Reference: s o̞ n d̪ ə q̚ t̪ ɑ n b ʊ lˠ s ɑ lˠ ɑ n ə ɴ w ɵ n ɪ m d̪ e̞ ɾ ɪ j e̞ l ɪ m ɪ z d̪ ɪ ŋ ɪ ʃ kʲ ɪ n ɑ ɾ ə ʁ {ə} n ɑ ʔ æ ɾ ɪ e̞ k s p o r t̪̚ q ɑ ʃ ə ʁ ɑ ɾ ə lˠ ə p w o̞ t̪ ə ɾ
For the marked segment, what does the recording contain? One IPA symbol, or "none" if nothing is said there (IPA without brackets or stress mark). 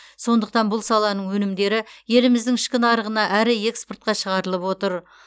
ə